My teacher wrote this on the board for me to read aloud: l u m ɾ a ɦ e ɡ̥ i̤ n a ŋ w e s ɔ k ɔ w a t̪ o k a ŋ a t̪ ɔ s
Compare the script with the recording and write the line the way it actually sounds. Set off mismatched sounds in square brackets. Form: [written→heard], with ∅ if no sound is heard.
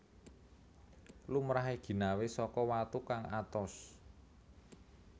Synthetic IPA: l u m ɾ a ɦ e ɡ̥ i̤ n a [ŋ→∅] w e s ɔ k ɔ w a t̪ [o→u] k a ŋ a t̪ ɔ s